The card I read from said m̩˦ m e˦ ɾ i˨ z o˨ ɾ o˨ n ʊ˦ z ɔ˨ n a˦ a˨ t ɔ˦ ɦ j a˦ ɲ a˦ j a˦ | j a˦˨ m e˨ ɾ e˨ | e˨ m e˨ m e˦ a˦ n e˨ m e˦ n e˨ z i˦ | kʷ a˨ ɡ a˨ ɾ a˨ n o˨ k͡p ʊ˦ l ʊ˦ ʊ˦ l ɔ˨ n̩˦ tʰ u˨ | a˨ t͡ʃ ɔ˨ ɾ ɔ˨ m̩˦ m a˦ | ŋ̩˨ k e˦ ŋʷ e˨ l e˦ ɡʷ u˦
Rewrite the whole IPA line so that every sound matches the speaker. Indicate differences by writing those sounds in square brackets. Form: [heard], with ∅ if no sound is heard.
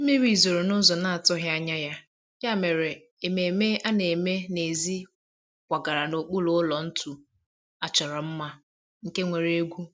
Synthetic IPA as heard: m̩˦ m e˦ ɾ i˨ z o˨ ɾ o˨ n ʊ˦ z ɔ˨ n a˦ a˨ t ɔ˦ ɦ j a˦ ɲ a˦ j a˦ | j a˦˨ m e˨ ɾ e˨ | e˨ m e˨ m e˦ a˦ n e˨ m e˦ n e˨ z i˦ | kʷ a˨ ɡ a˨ ɾ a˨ n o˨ k͡p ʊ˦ l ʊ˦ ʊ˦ l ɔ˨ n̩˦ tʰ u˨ | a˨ t͡ʃ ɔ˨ ɾ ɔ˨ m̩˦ m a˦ | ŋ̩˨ k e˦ ŋʷ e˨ [ɾ] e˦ ɡʷ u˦